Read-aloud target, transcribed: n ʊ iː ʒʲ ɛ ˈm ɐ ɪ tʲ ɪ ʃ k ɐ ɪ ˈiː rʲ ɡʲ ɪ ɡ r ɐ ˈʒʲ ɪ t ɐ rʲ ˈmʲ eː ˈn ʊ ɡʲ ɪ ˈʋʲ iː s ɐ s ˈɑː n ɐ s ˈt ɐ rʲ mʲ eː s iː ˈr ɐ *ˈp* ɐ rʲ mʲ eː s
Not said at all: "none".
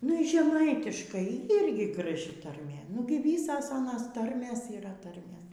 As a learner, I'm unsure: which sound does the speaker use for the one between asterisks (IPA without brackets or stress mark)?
t